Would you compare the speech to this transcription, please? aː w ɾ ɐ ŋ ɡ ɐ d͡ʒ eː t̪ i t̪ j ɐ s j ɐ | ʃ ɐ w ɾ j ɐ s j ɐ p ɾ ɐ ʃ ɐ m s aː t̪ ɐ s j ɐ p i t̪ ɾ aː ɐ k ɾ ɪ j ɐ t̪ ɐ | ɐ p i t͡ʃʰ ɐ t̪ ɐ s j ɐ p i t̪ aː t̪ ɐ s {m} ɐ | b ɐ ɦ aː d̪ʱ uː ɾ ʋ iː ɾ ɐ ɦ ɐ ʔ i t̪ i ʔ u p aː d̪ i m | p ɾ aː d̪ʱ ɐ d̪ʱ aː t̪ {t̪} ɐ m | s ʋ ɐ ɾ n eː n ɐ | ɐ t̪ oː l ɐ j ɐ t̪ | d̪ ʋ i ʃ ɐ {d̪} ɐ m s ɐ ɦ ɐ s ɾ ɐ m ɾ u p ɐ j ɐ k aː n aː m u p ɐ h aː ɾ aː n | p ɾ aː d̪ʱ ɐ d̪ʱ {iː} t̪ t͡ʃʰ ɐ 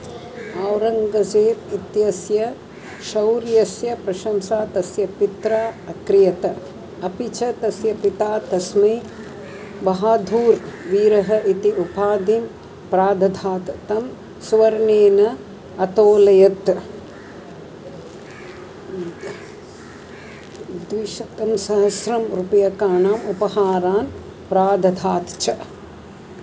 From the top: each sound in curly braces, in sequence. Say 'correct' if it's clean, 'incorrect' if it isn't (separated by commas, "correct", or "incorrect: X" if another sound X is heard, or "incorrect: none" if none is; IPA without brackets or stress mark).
correct, correct, incorrect: t̪, incorrect: aː